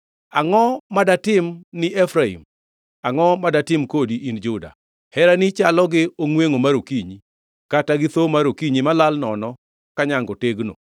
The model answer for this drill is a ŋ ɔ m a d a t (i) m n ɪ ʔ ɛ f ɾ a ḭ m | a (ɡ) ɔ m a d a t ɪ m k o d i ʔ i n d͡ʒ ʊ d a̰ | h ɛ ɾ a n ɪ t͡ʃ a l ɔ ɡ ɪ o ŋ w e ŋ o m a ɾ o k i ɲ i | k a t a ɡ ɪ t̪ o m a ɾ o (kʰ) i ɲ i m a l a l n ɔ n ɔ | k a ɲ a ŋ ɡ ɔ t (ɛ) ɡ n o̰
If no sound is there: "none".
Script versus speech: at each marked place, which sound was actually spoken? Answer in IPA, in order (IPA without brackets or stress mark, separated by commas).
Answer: ɪ, ŋ, k, e